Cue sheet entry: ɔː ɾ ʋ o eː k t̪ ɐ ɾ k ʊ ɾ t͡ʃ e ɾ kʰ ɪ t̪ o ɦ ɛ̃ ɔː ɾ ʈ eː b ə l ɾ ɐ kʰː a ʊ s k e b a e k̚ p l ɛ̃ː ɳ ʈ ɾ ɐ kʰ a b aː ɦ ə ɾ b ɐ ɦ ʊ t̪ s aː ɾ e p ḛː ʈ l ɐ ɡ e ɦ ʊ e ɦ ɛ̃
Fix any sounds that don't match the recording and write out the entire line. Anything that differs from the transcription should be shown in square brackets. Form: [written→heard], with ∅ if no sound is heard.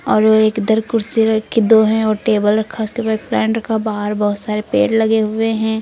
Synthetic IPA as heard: ɔː ɾ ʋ o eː k [t̪→d̪] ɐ ɾ k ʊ ɾ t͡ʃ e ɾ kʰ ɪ [t̪→d̪] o ɦ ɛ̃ ɔː ɾ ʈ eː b ə l ɾ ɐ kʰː a ʊ s k e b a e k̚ p l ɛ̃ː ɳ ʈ ɾ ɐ kʰ a b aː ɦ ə ɾ b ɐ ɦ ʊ t̪ s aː ɾ e p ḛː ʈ l ɐ ɡ e ɦ ʊ e ɦ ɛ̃